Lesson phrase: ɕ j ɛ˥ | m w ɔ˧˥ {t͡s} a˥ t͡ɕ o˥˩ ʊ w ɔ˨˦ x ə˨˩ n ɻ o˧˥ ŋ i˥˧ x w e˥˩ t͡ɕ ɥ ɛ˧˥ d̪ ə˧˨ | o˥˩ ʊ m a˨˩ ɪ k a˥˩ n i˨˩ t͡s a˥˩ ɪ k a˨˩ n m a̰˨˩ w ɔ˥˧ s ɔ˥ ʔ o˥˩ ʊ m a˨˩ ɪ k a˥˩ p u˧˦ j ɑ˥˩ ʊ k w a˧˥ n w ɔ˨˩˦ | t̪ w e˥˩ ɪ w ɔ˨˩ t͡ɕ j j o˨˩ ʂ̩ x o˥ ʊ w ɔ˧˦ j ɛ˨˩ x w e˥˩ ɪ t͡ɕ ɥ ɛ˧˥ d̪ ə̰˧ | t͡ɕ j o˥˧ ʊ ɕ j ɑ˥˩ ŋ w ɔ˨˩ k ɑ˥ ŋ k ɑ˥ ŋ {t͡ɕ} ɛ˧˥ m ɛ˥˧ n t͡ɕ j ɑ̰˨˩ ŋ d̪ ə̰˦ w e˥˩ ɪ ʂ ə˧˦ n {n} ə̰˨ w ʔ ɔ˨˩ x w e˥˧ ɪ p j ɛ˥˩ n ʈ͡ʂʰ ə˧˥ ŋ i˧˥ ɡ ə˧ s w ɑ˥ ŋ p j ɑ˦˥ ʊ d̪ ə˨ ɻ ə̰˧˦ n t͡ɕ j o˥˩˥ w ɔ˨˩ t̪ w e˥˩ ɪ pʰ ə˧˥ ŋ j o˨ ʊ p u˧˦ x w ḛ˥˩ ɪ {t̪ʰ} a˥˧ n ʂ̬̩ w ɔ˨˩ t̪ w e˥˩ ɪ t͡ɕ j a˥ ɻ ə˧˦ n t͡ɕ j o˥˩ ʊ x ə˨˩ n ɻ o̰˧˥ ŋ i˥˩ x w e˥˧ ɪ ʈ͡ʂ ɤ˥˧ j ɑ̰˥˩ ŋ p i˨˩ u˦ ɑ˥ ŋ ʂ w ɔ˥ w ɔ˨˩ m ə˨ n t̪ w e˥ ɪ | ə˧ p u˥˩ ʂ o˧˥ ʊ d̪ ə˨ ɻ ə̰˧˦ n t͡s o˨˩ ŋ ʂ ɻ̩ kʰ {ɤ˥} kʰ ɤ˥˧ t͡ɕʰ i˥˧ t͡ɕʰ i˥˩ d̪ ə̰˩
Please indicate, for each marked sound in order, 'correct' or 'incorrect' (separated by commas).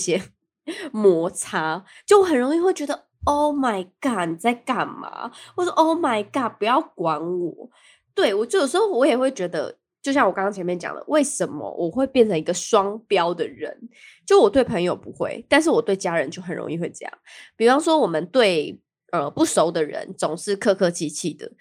incorrect, incorrect, incorrect, incorrect, incorrect